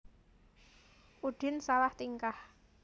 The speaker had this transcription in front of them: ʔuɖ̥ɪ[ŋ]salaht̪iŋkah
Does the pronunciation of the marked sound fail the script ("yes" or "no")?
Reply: yes